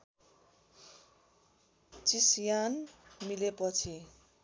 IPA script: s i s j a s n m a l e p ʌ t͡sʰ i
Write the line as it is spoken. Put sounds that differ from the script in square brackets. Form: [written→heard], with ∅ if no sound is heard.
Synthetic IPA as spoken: [s→t͡s] i s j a [s→∅] n m [a→i] l e p ʌ t͡sʰ i